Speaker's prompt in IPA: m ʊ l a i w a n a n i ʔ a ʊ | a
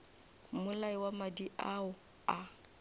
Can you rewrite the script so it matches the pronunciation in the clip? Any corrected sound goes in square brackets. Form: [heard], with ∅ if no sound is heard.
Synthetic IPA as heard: m ʊ l a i w a [m] a [d] i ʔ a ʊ | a